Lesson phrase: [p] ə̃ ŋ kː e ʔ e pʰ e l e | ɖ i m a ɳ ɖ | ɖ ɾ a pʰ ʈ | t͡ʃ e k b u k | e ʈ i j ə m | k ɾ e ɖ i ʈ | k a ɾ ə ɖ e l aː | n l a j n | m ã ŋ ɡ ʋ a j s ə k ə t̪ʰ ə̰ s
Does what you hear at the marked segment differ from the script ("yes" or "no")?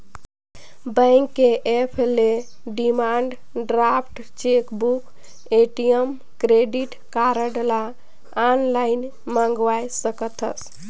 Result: yes